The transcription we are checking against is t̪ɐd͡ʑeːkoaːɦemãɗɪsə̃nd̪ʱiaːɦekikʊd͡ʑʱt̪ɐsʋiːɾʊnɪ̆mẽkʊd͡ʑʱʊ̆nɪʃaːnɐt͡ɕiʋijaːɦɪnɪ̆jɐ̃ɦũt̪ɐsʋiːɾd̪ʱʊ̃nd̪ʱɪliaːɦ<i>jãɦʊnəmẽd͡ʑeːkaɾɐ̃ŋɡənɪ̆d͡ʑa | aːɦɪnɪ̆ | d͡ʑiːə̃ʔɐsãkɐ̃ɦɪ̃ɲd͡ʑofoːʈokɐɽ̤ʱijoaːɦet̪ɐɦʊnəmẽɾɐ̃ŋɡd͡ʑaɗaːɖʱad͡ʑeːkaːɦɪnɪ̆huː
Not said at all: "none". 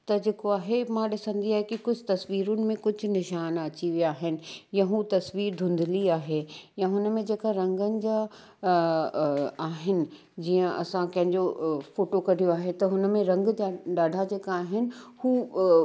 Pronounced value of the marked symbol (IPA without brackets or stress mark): e